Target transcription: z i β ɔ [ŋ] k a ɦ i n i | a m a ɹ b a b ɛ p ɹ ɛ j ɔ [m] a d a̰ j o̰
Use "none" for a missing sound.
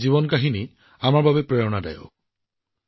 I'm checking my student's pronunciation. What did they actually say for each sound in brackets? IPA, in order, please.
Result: n, n

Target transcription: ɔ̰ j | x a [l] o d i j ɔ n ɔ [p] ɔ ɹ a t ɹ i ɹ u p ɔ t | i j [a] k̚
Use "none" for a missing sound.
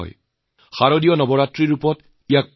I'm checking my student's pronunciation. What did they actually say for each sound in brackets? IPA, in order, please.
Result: ɹ, b, a

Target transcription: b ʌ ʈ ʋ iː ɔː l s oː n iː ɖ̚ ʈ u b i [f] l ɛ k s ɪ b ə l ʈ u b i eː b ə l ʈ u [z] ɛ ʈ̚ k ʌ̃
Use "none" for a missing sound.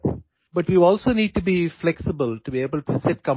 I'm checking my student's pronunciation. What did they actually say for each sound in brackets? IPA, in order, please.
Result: f, s

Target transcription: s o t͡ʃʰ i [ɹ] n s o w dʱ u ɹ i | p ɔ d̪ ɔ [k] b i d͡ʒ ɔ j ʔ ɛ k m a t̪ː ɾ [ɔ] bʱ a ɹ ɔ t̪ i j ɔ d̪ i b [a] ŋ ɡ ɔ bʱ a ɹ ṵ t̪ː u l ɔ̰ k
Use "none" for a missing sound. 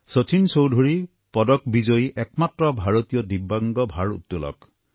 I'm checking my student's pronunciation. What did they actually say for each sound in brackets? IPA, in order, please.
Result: none, k, ɔ, a

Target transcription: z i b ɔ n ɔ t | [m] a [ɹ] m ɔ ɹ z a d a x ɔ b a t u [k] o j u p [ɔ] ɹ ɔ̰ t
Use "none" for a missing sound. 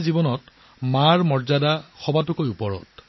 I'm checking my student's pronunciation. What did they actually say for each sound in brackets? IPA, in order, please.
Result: m, ɹ, k, ɔ

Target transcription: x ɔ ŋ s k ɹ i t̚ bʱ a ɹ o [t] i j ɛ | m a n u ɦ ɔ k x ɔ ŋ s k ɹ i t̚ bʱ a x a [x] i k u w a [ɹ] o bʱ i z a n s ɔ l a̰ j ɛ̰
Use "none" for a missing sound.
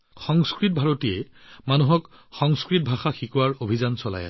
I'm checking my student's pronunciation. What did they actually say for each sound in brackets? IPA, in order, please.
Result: t, x, ɹ

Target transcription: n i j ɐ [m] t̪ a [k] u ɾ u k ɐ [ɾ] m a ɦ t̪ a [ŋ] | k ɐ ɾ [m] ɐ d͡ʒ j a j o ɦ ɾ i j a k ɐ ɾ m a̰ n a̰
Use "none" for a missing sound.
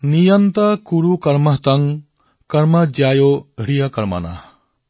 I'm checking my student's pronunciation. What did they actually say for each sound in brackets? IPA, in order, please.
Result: n, k, ɾ, ŋ, m

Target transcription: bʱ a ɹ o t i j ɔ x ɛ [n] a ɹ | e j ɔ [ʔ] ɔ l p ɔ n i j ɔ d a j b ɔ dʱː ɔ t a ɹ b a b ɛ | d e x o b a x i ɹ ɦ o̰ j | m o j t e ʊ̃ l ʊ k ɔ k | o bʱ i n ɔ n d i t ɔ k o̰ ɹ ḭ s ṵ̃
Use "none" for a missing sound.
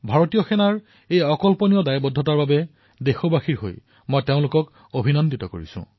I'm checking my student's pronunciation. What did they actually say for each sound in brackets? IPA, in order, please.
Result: n, k

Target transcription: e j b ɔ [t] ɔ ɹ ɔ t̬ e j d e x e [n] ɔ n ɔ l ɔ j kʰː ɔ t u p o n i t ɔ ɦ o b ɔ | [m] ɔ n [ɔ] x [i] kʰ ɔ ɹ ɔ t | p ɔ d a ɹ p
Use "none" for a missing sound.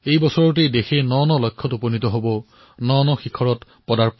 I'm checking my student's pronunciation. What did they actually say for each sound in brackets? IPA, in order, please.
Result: s, n, n, ɔ, i

